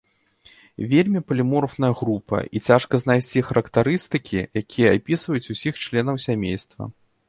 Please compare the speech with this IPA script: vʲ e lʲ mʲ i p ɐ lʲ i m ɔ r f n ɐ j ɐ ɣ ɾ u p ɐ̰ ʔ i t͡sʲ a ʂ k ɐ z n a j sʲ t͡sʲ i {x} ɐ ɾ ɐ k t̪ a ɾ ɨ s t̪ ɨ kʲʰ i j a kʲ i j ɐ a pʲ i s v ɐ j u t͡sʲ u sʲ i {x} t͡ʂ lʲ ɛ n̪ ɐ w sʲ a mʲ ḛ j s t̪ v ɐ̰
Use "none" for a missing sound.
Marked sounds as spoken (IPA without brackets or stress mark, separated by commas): x, x